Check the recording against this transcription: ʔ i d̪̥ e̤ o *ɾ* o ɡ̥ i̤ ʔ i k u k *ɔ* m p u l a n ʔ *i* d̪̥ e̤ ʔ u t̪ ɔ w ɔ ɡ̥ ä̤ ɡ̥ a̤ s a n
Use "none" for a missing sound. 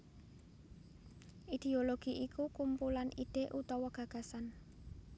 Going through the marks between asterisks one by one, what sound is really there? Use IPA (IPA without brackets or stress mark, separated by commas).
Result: l, u, i